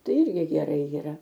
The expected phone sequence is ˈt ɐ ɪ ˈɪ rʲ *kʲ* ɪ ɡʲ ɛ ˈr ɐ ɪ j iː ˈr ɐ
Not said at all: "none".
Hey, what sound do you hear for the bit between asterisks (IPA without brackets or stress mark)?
ɡʲ